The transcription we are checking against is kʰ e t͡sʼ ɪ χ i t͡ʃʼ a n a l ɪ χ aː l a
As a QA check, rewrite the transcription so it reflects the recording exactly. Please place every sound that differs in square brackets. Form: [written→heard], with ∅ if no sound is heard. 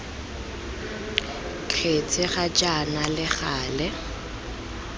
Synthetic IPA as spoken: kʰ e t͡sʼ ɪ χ [i→a] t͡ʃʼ a n a l ɪ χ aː l [a→ɛ]

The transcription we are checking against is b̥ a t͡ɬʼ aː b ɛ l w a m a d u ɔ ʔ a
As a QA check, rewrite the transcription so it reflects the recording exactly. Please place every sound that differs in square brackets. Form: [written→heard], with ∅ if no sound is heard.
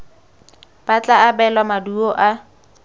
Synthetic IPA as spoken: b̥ a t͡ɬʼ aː b ɛ l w a m a d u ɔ ʔ a

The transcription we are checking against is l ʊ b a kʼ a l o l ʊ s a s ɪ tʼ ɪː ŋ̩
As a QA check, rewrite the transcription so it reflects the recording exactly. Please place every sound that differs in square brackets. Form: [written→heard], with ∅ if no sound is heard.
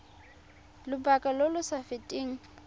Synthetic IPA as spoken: l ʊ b a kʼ a l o l ʊ s a [s→f] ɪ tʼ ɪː ŋ̩

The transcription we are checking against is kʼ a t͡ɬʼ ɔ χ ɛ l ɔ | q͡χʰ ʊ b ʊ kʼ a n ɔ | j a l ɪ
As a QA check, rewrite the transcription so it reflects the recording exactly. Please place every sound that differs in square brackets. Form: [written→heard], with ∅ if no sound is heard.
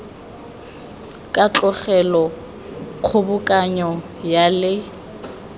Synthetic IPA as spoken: kʼ a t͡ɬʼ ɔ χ ɛ l ɔ | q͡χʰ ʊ b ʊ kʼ a [n→ɲ] ɔ | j a l ɪ

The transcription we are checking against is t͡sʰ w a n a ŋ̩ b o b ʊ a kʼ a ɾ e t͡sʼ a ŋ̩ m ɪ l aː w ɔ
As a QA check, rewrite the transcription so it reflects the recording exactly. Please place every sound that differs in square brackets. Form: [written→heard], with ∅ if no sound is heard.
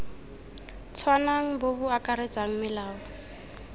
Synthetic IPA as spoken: t͡sʰ w a n a ŋ̩ b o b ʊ a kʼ a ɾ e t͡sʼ a ŋ̩ m ɪ l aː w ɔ

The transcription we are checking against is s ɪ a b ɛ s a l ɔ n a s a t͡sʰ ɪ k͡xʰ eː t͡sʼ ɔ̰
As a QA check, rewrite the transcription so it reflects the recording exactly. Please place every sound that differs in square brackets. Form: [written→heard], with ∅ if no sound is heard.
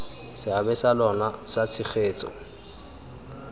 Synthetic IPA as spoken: s ɪ a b ɛ s a l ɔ n a s a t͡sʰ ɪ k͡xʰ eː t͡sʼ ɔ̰

